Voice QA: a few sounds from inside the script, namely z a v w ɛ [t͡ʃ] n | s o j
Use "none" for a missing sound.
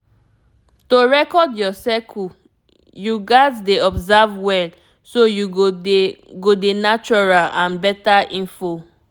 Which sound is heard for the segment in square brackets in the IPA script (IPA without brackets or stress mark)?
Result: none